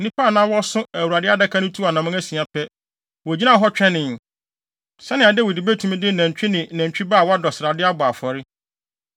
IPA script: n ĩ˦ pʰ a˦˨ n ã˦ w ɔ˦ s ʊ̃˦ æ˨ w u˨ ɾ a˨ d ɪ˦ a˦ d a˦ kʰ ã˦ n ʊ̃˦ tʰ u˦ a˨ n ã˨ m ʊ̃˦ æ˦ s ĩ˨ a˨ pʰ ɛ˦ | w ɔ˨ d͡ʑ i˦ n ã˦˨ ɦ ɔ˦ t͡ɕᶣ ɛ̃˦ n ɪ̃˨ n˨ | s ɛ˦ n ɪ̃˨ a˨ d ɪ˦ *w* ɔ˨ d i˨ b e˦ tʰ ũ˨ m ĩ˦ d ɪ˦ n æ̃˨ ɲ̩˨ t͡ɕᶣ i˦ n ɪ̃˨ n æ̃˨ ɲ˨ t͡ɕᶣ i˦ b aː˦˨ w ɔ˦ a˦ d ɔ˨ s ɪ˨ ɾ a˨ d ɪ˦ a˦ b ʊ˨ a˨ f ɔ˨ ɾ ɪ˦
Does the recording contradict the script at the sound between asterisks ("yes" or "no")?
no